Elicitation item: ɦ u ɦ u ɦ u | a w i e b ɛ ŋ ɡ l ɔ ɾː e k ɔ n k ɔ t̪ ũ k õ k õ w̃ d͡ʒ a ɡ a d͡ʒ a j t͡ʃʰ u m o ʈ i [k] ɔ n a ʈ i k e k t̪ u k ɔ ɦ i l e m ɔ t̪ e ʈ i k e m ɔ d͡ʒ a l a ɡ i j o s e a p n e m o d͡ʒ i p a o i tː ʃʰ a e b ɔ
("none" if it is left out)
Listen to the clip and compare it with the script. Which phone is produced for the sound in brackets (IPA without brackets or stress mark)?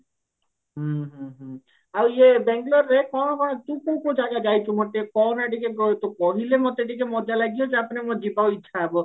k